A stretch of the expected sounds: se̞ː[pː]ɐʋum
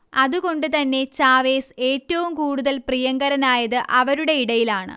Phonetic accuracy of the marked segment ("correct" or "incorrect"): incorrect